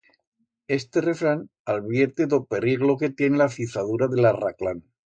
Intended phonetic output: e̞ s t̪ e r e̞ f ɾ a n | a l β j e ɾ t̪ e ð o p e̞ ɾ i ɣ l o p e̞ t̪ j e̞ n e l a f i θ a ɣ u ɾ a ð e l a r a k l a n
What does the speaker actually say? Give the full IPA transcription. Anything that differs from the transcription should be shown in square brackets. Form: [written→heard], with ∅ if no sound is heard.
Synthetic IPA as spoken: e̞ s t̪ e r e̞ f ɾ a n | a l β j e ɾ t̪ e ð o p e̞ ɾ i ɣ l o [p→k] e̞ t̪ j e̞ n e l a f i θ a [ɣ→ð] u ɾ a ð e l a r a k l a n